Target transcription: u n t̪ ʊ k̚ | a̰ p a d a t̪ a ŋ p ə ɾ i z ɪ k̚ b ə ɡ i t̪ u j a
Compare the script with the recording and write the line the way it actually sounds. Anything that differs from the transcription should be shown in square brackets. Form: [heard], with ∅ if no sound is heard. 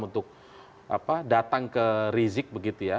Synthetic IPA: u n t̪ ʊ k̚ | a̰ p a d a t̪ a ŋ [k] ə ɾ i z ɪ k̚ b ə ɡ i t̪ u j a

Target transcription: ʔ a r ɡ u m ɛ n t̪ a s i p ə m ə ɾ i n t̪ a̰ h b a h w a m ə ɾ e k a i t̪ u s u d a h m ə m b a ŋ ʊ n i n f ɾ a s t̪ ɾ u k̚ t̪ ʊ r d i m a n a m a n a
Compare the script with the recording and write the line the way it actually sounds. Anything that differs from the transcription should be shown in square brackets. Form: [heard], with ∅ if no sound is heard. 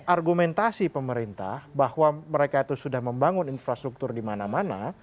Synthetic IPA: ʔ a r ɡ u m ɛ n t̪ a s i p ə m ə ɾ i n t̪ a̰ h b a h w a m ə ɾ e k a i t̪ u s u d a h m ə m b a ŋ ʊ n i n f ɾ a s t̪ ɾ u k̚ t̪ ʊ r d i m a n a m a n a

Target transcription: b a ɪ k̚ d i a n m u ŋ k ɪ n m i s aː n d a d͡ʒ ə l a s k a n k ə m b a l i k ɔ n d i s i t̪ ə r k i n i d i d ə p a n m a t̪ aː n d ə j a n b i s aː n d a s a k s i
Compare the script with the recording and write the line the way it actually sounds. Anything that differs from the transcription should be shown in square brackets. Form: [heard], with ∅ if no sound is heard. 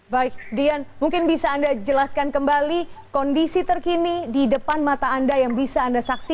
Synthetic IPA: b a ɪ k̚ d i a n m u ŋ k ɪ n [b] i s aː n d a d͡ʒ ə l a s k a n k ə m b a l i k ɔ n d i s i t̪ ə r k i n i d i d ə p a n m a t̪ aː n d [a] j a [ŋ] b i s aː n d a s a k s i

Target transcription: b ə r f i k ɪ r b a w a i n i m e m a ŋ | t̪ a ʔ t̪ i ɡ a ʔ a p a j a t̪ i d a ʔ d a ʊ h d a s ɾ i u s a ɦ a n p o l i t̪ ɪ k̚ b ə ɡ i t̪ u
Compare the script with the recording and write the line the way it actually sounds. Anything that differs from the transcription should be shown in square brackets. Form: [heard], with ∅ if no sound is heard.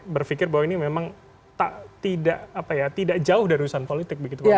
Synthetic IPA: b ə r f i k ɪ r b a w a i n i m e m a ŋ | t̪ a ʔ t̪ i [d] a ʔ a p a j a t̪ i d a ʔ [d͡ʒ] a ʊ h d a [∅] ɾ i u s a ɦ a n p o l i t̪ ɪ k̚ b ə ɡ i t̪ u

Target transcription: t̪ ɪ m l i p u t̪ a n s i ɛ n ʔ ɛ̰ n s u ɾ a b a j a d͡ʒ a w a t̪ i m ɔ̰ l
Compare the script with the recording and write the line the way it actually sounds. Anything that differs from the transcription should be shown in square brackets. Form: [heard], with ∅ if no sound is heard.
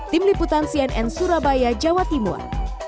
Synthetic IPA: t̪ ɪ m l i p u t̪ a n s i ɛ n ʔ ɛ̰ n s u ɾ a b a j a d͡ʒ a w a t̪ i m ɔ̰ [r]

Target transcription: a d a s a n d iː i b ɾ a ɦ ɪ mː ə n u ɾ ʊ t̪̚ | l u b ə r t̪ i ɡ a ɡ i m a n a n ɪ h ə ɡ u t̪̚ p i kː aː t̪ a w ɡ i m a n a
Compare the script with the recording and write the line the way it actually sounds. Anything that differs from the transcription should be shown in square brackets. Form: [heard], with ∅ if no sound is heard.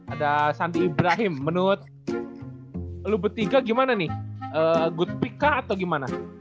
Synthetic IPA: a d a s a n d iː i b ɾ a ɦ ɪ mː ə n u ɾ ʊ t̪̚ | l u b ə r t̪ i ɡ a ɡ i m a n a n ɪ h ə ɡ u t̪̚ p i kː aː t̪ a w ɡ i m a n a

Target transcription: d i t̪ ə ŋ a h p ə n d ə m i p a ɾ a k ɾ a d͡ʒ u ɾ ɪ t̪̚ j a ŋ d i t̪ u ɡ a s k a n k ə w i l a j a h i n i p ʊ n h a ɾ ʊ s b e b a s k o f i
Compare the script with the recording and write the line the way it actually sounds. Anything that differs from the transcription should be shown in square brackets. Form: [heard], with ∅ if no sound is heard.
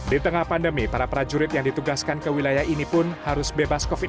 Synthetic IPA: d i t̪ ə ŋ a h p [a] n d ə m i p a ɾ a [p] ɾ a d͡ʒ u ɾ ɪ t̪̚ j a ŋ d i t̪ u ɡ a s k a n k ə w i l a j a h i n i p ʊ n h a ɾ ʊ s b e b a s k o f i

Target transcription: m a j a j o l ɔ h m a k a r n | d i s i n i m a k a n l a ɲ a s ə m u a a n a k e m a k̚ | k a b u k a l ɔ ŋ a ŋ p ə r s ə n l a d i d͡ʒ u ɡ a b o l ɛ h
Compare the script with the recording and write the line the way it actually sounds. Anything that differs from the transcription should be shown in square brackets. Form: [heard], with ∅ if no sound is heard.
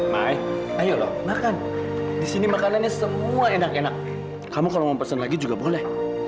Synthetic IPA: m a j a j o l ɔ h m a k a [∅] n | d i s i n i m a k a n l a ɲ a s ə m u a [e] n a k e [n] a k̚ | k a [m] u k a l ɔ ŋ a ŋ p ə r s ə n l a [ɡ] i d͡ʒ u ɡ a b o l ɛ h

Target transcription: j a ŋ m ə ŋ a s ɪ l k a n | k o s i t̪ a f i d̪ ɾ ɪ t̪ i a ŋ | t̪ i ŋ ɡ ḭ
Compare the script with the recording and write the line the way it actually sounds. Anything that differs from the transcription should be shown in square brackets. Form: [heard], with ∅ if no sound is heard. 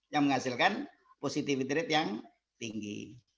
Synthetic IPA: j a ŋ m ə ŋ a s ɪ l k a n | [p] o s i t̪ [i] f i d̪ ɾ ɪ t̪ [j] a ŋ | t̪ i ŋ ɡ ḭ

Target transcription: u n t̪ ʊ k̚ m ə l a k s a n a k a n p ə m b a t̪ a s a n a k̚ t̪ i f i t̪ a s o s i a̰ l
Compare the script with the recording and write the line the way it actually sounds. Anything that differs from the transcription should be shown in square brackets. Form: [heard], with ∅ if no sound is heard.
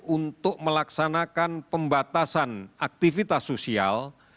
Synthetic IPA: u n t̪ ʊ k̚ m ə l a k s a n a k a n p ə m b a t̪ a s a n a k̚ t̪ i f i t̪ a s o s i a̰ l

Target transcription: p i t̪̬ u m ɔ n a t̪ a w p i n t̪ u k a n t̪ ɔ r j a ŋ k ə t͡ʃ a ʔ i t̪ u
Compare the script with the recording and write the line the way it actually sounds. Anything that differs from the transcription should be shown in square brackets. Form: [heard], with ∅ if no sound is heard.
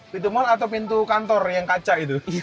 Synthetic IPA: p i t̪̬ u m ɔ n a t̪ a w p i n t̪ u k a n t̪ ɔ r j a ŋ k [a] t͡ʃ a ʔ i t̪ u

